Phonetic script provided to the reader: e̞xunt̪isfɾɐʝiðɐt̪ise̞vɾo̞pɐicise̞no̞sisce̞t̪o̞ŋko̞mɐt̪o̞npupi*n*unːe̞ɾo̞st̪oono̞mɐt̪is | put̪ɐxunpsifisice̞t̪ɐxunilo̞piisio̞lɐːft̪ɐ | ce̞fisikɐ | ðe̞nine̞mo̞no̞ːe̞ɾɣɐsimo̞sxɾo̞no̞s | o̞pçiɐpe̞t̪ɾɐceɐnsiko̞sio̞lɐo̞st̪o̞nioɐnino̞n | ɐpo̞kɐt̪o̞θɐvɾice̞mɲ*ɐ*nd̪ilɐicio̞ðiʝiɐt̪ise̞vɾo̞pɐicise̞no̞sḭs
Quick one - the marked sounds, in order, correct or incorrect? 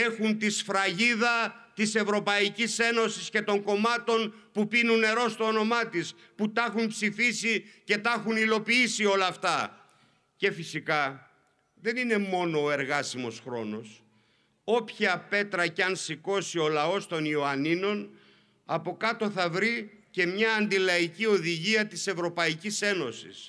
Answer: correct, incorrect: ɐː

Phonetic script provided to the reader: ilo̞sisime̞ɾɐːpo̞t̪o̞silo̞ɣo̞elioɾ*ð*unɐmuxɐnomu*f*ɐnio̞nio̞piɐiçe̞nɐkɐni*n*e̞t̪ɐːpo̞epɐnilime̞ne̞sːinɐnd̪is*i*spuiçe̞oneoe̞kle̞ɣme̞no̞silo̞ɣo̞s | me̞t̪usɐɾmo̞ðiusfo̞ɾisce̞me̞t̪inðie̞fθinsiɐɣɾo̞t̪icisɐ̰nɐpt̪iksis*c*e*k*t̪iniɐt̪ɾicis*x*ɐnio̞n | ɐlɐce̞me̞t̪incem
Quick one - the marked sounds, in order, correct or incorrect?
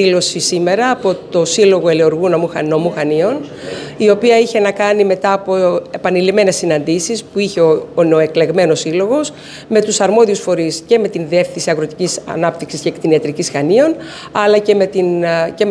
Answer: incorrect: ɣ, incorrect: x, incorrect: m, correct, correct, correct, correct

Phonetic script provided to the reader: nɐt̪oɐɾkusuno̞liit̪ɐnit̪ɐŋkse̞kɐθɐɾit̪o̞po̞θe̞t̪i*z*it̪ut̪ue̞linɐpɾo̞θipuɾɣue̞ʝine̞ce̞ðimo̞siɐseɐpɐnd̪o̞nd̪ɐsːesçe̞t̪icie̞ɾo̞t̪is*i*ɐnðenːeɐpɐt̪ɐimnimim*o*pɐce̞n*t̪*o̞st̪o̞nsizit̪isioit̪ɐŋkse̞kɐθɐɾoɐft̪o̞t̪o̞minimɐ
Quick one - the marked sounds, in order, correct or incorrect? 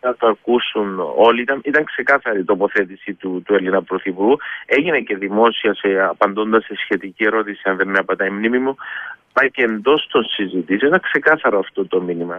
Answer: incorrect: s, correct, incorrect: u, incorrect: d̪

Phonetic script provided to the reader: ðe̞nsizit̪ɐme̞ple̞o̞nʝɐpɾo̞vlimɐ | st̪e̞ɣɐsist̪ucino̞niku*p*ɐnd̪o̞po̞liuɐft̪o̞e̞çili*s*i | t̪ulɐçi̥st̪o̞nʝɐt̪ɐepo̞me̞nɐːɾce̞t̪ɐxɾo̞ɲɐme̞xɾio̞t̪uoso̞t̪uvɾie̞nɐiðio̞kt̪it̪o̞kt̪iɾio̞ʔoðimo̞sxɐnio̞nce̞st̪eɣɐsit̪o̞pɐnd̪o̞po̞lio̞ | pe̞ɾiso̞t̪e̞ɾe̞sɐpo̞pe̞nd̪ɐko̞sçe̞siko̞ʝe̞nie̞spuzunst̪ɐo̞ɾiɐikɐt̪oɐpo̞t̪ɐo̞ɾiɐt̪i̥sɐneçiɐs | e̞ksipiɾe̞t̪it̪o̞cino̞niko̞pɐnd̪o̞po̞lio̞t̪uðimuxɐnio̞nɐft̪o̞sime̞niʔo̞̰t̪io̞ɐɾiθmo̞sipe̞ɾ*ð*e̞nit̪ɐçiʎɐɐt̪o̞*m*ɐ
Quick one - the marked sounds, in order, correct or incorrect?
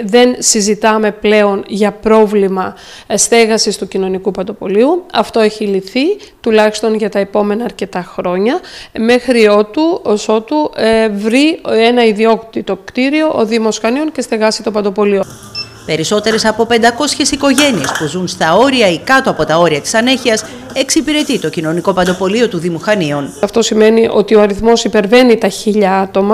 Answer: correct, incorrect: θ, incorrect: v, correct

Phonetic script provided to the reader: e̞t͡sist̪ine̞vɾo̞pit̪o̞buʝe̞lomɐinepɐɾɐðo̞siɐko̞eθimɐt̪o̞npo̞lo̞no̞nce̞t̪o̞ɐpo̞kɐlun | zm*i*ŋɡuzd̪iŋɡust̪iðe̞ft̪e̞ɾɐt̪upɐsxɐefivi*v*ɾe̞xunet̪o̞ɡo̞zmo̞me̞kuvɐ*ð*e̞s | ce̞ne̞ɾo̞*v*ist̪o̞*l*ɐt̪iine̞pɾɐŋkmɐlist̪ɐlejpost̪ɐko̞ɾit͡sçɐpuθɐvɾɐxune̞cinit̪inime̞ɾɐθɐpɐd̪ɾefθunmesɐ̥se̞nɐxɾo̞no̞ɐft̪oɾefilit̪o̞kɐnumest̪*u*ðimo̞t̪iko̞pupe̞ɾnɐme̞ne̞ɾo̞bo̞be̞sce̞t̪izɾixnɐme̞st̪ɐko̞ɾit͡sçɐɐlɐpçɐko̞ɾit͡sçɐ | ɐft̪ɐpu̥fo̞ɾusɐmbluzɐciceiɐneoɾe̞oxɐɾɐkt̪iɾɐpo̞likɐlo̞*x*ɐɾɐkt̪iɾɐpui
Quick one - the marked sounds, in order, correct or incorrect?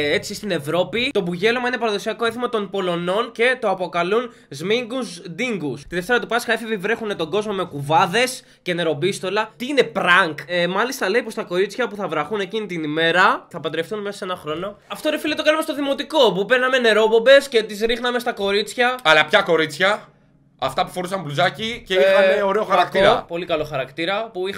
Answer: correct, correct, correct, incorrect: b, correct, incorrect: o, correct

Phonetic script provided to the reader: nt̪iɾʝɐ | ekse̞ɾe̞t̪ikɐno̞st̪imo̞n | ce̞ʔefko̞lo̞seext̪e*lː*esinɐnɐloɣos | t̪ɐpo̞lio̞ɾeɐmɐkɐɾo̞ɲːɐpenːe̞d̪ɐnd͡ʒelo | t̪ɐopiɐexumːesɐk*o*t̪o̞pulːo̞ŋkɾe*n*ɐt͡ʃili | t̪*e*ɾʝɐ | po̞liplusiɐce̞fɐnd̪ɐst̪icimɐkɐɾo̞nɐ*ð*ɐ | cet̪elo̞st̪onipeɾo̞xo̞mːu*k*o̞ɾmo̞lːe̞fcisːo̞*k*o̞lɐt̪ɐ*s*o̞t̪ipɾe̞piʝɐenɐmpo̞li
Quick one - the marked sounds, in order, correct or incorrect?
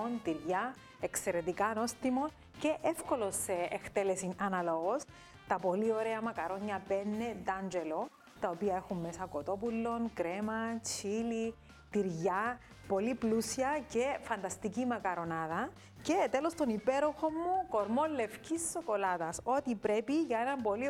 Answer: incorrect: l, correct, incorrect: m, incorrect: i, correct, correct, correct, correct

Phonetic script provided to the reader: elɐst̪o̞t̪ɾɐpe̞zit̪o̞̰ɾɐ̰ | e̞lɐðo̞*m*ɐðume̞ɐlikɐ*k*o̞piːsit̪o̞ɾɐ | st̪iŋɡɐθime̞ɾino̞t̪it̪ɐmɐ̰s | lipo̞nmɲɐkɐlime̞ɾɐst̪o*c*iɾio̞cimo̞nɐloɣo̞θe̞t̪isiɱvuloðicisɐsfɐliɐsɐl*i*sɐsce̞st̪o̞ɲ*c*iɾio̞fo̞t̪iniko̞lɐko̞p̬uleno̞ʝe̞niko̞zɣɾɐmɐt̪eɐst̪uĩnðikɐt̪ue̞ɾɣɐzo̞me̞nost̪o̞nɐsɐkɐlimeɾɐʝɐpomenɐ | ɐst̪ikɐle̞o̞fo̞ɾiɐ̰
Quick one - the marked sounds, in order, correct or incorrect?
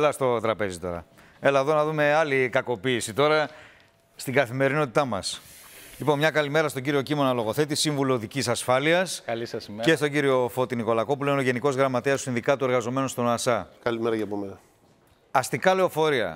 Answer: incorrect: n, correct, incorrect: ɟ, correct, incorrect: ɟ

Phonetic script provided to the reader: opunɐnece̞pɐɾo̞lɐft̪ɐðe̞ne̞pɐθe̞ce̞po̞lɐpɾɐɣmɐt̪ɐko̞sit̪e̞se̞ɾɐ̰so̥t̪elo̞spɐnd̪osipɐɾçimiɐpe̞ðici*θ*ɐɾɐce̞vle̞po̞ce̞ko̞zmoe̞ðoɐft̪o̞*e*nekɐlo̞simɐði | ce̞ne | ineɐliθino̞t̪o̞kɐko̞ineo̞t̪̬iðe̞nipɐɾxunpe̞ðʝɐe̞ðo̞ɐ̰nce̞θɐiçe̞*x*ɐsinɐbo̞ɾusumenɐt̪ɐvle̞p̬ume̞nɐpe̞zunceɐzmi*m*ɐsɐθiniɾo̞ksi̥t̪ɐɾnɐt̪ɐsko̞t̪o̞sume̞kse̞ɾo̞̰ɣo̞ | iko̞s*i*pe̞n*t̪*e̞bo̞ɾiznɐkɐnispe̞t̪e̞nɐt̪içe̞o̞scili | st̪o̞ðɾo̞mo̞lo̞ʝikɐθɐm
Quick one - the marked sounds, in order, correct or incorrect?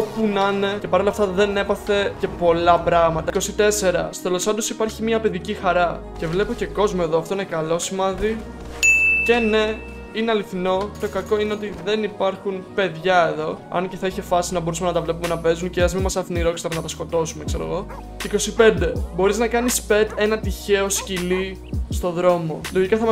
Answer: incorrect: x, incorrect: i, incorrect: f, correct, correct, incorrect: d̪

